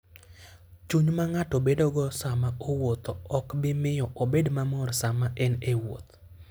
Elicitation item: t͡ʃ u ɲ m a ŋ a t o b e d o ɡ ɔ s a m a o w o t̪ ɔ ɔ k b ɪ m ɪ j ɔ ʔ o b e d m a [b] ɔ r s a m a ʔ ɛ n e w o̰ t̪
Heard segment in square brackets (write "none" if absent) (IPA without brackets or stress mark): m